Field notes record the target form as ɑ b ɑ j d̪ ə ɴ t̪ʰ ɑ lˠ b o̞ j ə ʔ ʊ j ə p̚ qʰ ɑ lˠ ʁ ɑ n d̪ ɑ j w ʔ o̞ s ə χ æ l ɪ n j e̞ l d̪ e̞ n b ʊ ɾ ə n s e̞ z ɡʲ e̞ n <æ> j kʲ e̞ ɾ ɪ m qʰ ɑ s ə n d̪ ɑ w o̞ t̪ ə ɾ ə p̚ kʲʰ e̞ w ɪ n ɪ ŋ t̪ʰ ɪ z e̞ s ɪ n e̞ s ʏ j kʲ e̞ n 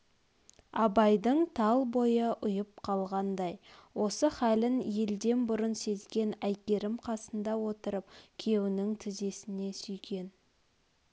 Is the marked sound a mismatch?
no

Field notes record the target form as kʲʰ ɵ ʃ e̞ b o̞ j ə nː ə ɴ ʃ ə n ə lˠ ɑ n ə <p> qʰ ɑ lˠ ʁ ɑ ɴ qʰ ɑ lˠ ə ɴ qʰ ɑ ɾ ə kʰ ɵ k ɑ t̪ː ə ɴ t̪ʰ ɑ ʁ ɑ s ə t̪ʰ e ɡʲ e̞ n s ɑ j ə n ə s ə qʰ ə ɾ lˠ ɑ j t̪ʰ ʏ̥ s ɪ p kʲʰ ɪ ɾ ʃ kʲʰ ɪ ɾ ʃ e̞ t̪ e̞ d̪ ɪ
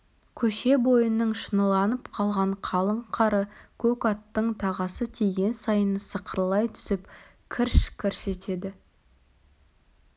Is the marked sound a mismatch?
no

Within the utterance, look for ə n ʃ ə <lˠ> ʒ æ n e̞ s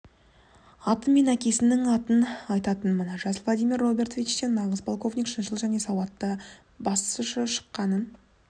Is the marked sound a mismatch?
no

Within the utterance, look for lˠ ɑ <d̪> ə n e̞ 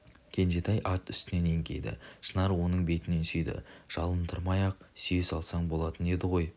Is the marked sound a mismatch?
yes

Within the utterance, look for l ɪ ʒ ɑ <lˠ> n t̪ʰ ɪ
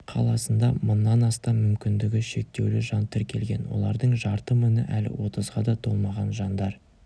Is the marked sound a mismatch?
yes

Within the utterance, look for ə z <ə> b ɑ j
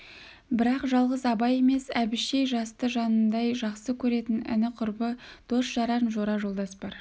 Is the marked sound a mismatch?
yes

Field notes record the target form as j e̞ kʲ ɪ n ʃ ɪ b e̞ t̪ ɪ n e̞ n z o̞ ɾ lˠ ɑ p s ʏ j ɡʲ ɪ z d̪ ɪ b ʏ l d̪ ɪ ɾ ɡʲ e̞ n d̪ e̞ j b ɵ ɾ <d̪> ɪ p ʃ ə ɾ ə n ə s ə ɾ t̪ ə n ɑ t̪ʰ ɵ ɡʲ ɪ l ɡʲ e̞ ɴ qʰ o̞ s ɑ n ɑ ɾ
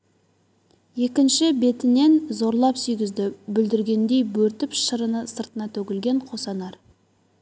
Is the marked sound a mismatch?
yes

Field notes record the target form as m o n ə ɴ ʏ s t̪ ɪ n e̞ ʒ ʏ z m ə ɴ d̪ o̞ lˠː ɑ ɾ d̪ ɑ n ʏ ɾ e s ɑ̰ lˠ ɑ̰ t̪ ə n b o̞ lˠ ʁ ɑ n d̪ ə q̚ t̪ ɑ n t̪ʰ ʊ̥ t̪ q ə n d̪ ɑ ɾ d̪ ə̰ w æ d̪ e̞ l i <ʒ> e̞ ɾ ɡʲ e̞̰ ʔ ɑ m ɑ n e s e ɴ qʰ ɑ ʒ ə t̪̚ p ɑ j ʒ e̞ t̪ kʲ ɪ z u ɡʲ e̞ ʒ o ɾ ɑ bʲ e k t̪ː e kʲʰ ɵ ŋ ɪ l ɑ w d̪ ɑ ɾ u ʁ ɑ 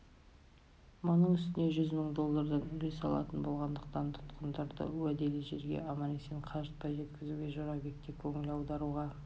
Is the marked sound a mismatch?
no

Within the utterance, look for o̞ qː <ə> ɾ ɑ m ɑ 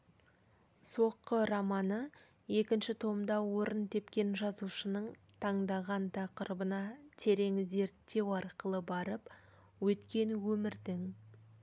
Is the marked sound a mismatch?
no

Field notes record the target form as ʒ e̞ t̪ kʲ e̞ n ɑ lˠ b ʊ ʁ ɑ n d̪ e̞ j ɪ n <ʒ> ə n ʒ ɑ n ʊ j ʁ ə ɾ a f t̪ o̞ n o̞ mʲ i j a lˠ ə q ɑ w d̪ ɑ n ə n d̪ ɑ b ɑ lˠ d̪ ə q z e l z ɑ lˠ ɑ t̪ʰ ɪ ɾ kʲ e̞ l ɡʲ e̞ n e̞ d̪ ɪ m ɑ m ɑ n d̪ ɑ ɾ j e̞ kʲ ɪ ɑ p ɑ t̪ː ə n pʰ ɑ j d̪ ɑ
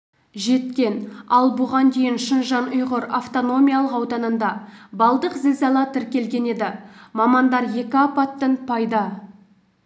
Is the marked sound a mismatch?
yes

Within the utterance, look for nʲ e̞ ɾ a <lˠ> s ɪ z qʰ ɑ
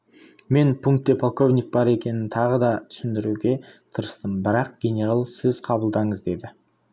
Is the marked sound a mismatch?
no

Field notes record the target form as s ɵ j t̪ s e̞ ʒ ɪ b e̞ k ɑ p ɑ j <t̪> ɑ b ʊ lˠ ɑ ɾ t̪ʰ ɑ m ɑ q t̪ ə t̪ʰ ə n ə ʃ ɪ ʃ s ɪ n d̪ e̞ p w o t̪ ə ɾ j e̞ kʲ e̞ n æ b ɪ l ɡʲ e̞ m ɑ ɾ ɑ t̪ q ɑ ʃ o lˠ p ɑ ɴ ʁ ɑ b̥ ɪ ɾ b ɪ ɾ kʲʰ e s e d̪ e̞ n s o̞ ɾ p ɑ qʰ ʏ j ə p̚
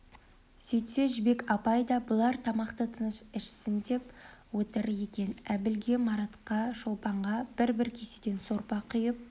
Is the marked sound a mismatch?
yes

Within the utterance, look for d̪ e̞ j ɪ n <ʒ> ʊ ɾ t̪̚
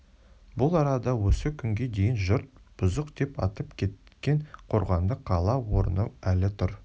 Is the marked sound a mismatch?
no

